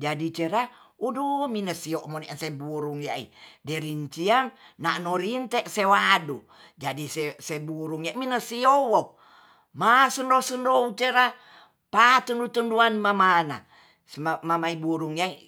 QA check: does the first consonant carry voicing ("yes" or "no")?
yes